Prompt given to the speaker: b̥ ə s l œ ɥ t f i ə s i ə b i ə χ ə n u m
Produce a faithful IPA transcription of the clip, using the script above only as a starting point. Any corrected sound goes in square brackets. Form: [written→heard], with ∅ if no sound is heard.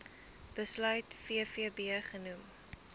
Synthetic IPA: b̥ ə s l œ ɥ t f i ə [s→f] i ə b i ə χ ə n u m